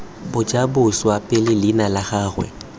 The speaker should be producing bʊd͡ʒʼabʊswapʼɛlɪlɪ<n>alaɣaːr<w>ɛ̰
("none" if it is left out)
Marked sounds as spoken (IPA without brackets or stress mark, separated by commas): n, w